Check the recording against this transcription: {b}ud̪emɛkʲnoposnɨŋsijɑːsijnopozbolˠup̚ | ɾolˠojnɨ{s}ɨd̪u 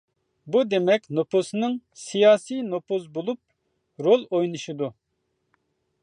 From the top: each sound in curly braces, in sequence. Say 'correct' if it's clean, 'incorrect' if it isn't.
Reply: correct, incorrect

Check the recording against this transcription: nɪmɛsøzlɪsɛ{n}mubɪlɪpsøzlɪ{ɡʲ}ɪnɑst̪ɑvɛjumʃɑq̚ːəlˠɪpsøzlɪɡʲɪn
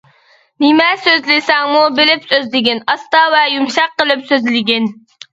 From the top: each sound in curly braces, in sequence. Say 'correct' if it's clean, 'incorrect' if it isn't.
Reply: incorrect, correct

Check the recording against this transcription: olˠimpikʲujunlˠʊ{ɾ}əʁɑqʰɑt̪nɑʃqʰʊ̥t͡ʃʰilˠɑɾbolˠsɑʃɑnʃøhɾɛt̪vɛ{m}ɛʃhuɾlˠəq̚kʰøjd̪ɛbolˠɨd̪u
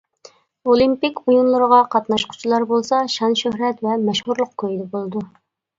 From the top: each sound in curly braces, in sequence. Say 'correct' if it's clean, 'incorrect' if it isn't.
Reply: correct, correct

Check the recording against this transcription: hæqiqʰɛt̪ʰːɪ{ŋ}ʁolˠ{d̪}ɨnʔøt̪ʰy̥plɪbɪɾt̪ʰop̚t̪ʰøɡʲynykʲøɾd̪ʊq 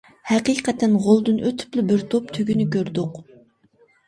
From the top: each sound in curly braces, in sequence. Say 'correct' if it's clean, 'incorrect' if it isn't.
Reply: incorrect, correct

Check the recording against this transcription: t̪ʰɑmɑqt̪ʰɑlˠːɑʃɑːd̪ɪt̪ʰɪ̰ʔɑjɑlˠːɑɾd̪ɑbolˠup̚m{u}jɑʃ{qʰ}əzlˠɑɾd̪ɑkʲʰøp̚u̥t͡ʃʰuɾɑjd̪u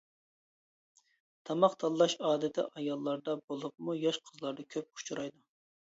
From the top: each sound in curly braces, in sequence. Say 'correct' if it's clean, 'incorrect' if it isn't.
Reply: correct, correct

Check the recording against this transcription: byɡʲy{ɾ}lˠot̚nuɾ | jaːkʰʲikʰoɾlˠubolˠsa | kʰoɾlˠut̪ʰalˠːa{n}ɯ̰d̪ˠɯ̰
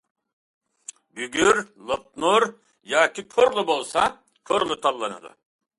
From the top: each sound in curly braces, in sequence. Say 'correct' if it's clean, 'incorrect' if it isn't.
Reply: correct, correct

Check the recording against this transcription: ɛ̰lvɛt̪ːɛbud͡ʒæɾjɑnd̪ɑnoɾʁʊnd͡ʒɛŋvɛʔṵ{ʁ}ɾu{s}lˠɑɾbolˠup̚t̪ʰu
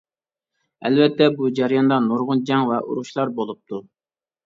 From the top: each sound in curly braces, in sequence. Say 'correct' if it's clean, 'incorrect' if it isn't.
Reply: incorrect, incorrect

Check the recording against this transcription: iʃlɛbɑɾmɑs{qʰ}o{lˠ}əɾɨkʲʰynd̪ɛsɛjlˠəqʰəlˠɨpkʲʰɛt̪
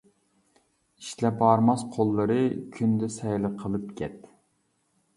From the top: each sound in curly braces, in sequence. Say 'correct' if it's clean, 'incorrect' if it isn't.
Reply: correct, incorrect

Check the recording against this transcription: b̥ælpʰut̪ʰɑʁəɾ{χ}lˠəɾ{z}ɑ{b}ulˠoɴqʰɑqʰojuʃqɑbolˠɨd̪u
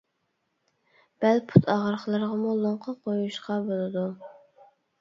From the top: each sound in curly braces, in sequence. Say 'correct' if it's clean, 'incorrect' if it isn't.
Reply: correct, incorrect, incorrect

